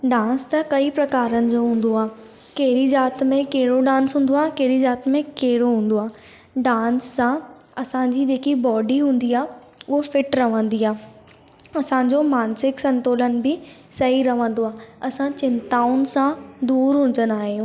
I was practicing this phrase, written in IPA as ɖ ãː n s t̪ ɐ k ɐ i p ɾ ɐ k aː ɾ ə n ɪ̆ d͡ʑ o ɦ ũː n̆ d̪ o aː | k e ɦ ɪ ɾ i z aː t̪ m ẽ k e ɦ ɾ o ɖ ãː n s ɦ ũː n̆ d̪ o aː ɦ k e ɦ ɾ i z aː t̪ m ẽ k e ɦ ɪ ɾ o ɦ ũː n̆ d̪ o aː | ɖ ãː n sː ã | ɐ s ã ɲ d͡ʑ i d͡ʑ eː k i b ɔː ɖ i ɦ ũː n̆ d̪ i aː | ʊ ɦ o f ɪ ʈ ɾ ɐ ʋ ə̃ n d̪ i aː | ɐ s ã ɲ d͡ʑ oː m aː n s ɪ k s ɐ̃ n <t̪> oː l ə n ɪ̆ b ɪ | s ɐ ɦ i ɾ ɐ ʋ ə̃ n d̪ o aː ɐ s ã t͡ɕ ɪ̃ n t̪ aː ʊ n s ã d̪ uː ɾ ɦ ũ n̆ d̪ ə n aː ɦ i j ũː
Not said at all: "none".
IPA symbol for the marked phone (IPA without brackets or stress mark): t̪